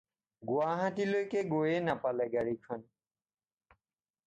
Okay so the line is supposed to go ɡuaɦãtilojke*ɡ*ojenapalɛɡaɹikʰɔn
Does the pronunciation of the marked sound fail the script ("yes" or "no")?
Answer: no